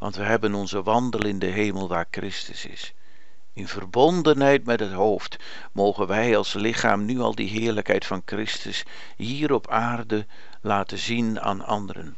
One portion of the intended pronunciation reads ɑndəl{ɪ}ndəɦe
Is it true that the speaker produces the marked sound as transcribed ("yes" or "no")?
yes